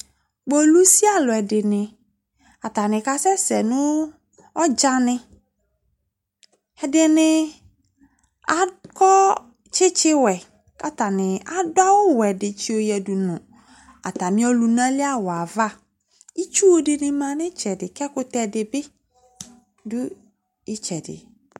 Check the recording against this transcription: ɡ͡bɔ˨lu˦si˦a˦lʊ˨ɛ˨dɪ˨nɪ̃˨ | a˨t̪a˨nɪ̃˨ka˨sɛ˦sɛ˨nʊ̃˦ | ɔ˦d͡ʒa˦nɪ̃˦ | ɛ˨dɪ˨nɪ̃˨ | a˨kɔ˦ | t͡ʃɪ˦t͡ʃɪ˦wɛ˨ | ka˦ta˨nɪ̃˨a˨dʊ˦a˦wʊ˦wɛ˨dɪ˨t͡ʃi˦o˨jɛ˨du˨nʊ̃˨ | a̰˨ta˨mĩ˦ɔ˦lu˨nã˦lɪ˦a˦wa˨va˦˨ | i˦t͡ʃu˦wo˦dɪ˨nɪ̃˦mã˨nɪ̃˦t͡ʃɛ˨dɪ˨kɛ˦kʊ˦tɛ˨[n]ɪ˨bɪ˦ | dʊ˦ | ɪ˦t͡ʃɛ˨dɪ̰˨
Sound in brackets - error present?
yes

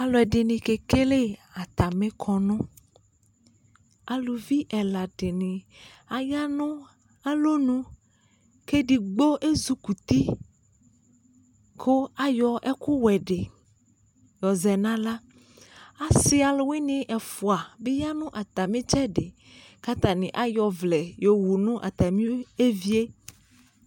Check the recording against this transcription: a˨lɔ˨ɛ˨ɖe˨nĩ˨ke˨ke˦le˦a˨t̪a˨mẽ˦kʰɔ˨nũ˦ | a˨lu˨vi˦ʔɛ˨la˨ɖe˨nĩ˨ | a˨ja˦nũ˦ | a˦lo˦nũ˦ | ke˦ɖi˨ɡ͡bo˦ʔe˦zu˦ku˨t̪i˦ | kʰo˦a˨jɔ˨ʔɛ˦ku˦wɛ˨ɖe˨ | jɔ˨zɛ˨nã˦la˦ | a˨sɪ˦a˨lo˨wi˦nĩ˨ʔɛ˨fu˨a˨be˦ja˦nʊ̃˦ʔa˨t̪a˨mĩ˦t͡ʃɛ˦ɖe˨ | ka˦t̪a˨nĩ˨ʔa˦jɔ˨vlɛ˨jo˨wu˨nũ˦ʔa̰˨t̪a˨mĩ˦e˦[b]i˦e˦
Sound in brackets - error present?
yes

